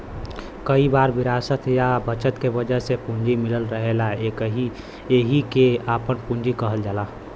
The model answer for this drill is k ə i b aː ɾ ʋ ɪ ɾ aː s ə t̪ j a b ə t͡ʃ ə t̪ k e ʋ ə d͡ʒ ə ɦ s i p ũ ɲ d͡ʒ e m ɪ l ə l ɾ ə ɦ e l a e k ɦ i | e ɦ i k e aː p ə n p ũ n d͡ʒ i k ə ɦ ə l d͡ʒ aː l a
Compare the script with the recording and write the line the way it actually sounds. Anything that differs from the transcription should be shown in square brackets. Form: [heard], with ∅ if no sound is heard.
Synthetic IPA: k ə i b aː ɾ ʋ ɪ ɾ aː s ə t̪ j a b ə t͡ʃ ə t̪ k e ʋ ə d͡ʒ ə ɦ s [e] p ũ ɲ d͡ʒ [i] m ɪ l ə l ɾ ə ɦ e l a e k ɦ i | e ɦ i k e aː p ə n p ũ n d͡ʒ i k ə ɦ ə l d͡ʒ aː l a

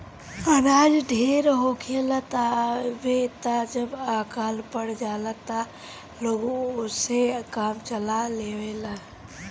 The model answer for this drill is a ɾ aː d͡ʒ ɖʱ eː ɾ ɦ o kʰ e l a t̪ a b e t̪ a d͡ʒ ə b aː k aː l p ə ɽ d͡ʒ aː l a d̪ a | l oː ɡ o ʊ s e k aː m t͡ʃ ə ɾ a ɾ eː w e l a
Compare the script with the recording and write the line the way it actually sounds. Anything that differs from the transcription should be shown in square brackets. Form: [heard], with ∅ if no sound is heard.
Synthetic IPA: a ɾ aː d͡ʒ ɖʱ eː ɾ ɦ o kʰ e l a t̪ a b e t̪ a d͡ʒ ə b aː k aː l p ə ɽ d͡ʒ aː l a [t̪] a | l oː ɡ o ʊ s e k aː m t͡ʃ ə [l] a [l] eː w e l a

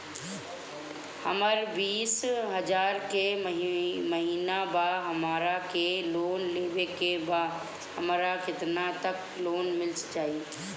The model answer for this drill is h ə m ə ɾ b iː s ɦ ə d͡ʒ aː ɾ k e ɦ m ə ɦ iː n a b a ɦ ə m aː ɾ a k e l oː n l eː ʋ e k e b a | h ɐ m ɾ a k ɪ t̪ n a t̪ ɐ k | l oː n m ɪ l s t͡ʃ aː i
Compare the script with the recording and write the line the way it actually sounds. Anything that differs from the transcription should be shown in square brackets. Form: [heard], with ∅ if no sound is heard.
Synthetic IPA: h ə m ə ɾ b iː s ɦ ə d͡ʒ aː ɾ k e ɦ m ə ɦ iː n a b a ɦ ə m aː ɾ a k e l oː n l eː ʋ e k e b a | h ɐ m ɾ a k ɪ t̪ n a t̪ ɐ k | l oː n m ɪ l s t͡ʃ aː i

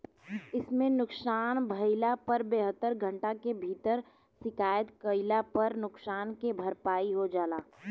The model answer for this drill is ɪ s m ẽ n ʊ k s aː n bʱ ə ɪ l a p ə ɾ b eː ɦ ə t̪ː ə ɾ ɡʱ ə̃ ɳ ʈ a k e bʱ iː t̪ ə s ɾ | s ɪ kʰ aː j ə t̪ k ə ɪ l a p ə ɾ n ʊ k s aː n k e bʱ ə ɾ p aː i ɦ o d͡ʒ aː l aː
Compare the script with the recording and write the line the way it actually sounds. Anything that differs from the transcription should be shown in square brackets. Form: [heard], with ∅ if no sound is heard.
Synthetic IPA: ɪ s m ẽ n ʊ k s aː n bʱ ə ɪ l a p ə ɾ b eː ɦ ə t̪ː ə ɾ ɡʱ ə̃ ɳ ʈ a k e bʱ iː t̪ ə [∅] ɾ | s ɪ [k] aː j ə t̪ k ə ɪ l a p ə ɾ n ʊ k s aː n k e bʱ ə ɾ p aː i ɦ o d͡ʒ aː l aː

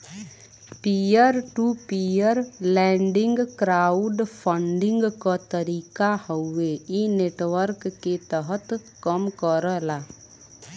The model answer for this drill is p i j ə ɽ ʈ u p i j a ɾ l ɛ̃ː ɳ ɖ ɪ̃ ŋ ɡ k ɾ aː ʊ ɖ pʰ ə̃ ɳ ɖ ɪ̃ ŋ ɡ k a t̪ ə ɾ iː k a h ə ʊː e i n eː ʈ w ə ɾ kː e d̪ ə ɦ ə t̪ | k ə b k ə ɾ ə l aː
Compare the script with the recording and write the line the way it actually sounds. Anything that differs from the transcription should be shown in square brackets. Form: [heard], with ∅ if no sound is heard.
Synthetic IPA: p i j ə [ɾ] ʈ u p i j [ə] ɾ l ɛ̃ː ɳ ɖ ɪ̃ ŋ ɡ k ɾ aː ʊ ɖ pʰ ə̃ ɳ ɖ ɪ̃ ŋ ɡ k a t̪ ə ɾ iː k a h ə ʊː e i n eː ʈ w ə ɾ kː e [t̪] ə ɦ ə t̪ | k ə [m] k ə ɾ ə l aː

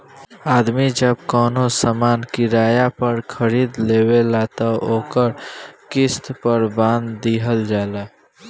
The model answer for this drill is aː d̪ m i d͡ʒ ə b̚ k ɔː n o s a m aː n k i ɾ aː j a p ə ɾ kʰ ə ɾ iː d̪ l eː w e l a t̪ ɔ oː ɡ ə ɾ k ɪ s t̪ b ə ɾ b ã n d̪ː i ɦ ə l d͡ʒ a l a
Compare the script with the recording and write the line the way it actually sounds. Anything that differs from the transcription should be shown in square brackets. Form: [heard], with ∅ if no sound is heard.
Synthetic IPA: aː d̪ m i d͡ʒ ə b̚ k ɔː n o s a m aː n k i ɾ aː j a p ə ɾ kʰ ə ɾ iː d̪ l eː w e l a t̪ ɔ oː [k] ə ɾ k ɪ s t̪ [p] ə ɾ b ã n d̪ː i ɦ ə l d͡ʒ a l a

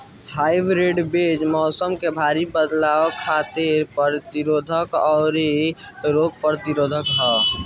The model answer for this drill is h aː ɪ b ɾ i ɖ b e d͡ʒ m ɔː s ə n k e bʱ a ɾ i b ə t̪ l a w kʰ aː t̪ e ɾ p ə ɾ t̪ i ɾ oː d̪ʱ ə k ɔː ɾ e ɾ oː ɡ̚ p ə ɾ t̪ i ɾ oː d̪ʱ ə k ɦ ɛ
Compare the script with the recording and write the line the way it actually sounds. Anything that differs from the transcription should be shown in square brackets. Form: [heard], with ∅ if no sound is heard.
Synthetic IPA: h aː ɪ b ɾ [e] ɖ b e d͡ʒ m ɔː s ə [m] k e bʱ a ɾ i b ə [d̪] l a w kʰ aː t̪ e ɾ p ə ɾ t̪ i ɾ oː d̪ʱ ə k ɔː ɾ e ɾ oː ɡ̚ p ə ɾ t̪ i ɾ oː d̪ʱ ə k ɦ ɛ

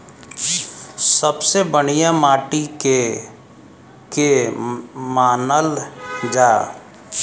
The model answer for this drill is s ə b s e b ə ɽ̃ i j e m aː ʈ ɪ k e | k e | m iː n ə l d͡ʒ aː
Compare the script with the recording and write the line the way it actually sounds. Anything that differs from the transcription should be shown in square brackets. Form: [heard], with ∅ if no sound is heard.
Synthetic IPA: s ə b s e b ə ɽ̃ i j [a] m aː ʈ [i] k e | k e | m [aː] n ə l d͡ʒ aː

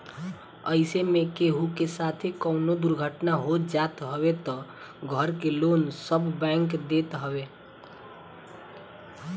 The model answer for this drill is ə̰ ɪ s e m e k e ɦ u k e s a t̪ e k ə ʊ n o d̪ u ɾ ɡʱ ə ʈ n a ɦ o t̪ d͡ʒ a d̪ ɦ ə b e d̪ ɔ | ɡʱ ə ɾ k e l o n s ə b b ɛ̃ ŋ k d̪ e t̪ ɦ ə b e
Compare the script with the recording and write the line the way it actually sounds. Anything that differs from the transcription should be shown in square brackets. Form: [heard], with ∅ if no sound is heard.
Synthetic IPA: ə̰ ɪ s e m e k e ɦ u k e s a [t̪ʰ] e k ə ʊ n o d̪ u ɾ ɡʱ ə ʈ n a ɦ o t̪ d͡ʒ a [t̪] ɦ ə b e [t̪] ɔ | ɡʱ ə ɾ k e l o n s ə b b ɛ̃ ŋ k d̪ e t̪ ɦ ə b e

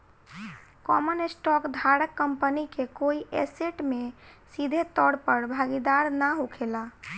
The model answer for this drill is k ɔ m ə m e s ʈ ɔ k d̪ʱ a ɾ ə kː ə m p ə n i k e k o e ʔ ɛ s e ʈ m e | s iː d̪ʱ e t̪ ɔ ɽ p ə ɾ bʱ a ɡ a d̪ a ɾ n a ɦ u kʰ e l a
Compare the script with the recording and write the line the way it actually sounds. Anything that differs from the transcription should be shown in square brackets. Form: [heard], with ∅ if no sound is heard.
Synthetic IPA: k ɔ m ə [n] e s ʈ ɔ k d̪ʱ a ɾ ə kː ə m p ə n i k e k o [i] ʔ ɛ s e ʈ m e | s [i] d̪ʱ e t̪ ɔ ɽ p ə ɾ bʱ a ɡ [i] d̪ a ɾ n a ɦ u kʰ e l a

